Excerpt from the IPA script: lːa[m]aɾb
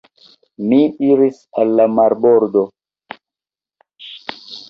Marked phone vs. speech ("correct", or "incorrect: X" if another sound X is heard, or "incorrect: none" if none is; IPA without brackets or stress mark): correct